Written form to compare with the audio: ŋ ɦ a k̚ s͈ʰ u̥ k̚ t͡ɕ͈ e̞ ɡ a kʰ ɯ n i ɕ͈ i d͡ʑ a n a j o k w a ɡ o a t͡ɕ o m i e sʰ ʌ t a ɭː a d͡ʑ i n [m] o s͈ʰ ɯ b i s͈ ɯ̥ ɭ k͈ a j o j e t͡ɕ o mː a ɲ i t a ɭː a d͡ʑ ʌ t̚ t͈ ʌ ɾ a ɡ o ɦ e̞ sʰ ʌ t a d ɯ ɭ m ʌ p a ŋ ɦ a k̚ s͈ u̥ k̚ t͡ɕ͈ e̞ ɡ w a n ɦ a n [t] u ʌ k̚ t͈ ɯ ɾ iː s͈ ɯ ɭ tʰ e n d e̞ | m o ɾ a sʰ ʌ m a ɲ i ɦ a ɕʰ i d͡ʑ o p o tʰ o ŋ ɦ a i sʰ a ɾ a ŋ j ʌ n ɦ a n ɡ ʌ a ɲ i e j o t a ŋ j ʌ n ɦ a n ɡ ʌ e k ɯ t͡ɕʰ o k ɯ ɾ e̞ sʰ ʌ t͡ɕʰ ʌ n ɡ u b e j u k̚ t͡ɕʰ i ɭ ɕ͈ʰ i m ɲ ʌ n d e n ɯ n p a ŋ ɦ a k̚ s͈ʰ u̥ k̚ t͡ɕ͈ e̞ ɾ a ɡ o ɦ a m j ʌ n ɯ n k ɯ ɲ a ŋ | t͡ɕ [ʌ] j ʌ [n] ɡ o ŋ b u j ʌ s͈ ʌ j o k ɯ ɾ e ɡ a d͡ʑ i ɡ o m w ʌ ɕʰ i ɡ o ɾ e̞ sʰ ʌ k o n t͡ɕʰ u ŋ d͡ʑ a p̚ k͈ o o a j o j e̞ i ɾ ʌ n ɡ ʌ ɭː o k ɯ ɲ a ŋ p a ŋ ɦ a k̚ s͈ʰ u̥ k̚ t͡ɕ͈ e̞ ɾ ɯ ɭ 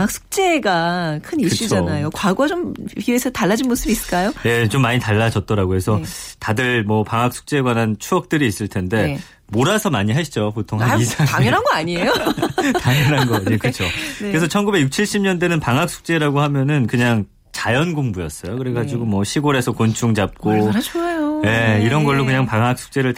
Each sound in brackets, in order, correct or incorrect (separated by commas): correct, incorrect, incorrect, correct